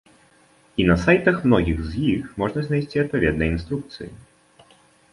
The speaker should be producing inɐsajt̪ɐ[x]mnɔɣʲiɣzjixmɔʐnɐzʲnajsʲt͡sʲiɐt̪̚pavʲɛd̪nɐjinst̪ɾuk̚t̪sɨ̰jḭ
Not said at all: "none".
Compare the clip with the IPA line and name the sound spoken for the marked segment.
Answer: x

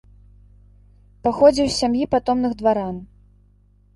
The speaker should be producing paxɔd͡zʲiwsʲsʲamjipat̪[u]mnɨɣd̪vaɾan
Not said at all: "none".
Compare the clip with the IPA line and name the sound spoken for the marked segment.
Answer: ɔ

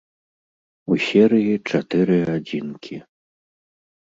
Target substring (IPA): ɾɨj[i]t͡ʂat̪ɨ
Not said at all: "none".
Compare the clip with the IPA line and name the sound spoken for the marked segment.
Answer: i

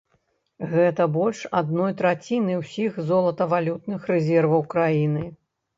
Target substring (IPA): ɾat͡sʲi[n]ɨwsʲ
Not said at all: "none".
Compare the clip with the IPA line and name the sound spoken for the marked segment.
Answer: n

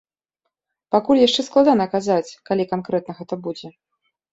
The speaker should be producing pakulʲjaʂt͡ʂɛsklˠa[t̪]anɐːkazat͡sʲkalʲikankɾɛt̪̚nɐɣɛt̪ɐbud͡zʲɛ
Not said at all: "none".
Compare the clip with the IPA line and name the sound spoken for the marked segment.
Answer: d̪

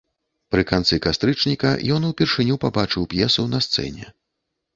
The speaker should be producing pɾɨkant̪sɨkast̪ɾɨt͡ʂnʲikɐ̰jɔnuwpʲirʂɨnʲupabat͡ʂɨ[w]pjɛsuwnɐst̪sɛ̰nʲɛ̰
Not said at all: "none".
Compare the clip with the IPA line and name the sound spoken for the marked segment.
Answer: w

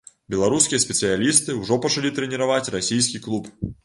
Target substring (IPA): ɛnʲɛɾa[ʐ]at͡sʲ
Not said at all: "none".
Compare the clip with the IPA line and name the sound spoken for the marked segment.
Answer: v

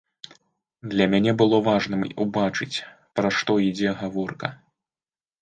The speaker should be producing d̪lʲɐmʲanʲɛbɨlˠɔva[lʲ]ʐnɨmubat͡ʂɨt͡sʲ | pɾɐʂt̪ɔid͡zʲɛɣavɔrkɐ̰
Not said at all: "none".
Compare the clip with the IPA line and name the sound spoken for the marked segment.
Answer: none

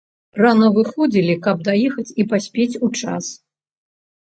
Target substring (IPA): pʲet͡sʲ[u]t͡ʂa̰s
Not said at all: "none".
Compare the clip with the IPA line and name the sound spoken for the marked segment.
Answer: u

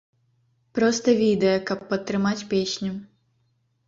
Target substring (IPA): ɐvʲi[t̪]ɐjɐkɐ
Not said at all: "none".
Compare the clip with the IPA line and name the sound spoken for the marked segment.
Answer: d̪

